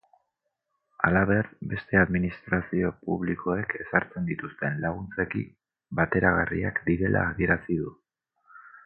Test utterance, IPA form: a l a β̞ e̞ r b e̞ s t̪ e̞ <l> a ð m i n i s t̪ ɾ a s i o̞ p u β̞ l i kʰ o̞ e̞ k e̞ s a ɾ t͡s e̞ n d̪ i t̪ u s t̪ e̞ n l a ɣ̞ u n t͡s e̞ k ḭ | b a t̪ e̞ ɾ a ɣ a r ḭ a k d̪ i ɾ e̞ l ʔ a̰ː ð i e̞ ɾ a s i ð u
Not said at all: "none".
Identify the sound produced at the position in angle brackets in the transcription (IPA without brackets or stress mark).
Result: none